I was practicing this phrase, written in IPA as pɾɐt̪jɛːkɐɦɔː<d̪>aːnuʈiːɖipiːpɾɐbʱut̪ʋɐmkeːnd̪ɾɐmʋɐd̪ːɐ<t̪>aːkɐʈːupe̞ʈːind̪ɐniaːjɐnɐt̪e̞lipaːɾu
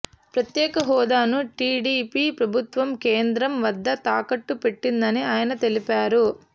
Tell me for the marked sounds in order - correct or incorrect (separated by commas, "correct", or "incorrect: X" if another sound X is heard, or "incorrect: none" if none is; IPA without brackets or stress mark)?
correct, correct